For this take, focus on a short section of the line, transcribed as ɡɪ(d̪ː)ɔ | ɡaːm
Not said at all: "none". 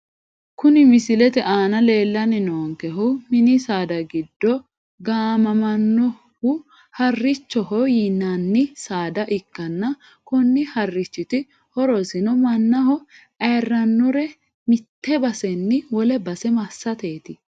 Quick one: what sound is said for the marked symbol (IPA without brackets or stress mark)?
d̪ː